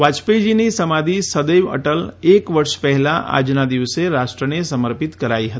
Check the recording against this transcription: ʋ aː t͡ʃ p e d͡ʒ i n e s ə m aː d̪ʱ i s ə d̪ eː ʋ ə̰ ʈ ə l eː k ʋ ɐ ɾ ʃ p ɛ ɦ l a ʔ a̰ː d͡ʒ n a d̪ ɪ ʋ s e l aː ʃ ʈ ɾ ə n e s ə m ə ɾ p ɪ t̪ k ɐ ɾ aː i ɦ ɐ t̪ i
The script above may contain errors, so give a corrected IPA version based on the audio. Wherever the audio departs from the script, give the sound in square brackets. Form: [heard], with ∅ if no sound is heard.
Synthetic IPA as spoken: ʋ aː t͡ʃ p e d͡ʒ i n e s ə m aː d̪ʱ i s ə d̪ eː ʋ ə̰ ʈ ə l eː k ʋ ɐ ɾ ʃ p ɛ ɦ l a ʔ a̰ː d͡ʒ n a d̪ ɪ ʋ s e [ɾ] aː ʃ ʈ ɾ ə n e s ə m ə ɾ p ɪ t̪ k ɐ ɾ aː i ɦ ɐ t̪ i